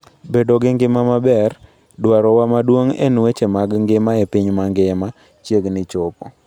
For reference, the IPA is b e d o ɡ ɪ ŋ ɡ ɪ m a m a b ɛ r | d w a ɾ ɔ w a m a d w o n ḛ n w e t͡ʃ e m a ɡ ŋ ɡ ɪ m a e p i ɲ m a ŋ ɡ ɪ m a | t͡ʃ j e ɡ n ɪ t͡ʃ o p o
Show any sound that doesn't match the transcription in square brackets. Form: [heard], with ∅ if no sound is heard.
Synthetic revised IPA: b e d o ɡ ɪ ŋ ɡ ɪ m a m a b ɛ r | d w a ɾ ɔ w a m a d w o [ŋ] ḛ n w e t͡ʃ e m a ɡ ŋ ɡ ɪ m a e p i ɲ m a ŋ ɡ ɪ m a | t͡ʃ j e ɡ n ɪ t͡ʃ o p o